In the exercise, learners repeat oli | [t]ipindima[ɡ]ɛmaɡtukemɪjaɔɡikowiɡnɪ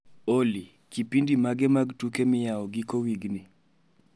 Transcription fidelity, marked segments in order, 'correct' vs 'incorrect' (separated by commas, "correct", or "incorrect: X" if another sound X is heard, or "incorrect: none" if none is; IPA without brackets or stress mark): incorrect: k, correct